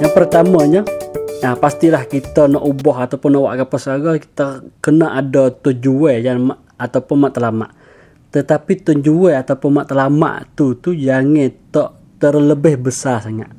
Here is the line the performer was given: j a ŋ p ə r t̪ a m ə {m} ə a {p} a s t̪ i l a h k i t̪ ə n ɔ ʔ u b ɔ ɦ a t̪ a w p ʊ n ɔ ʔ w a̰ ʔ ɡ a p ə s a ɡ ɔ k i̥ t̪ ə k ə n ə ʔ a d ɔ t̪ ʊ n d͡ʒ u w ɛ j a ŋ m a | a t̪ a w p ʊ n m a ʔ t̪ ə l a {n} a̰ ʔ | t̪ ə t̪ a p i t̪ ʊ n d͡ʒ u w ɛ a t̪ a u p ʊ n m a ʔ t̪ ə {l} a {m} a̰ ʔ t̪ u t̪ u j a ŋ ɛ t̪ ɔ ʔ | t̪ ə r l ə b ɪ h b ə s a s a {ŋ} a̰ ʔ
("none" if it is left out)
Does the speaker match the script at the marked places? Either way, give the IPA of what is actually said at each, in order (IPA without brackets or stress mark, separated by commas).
ɲ, p, m, l, m, ŋ